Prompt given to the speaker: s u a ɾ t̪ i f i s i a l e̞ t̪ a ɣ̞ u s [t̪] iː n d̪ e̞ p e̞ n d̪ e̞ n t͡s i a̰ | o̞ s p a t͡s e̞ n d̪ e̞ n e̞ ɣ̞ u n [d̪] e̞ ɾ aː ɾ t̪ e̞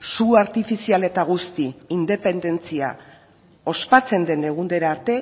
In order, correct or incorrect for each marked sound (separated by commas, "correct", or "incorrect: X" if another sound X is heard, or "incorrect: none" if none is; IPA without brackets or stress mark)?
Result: correct, correct